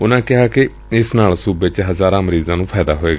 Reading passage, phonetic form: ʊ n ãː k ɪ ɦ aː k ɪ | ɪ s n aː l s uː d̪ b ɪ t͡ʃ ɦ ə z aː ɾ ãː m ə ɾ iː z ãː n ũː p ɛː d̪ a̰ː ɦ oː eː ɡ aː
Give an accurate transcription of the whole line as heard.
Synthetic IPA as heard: ʊ n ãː k ɪ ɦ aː k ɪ | ɪ s n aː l s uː b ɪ t͡ʃ ɦ ə z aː ɾ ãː m ə ɾ iː z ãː n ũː pʰ ɛː d̪ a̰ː ɦ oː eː ɡ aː